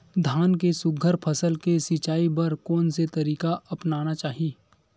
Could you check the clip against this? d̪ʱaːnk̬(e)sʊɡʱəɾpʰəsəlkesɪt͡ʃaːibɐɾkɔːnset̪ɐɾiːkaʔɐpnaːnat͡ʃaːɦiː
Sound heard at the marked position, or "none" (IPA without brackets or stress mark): e